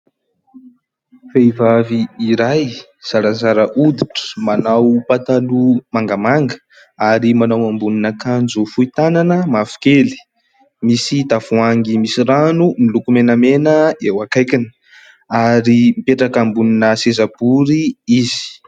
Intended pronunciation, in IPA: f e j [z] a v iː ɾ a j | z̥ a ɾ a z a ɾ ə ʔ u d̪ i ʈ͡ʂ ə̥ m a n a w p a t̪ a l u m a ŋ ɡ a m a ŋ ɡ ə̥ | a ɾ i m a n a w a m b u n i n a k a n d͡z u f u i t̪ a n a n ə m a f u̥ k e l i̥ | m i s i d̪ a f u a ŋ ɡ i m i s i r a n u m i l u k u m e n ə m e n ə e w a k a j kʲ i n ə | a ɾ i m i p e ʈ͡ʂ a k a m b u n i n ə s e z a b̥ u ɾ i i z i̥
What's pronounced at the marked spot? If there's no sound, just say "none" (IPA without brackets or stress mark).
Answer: v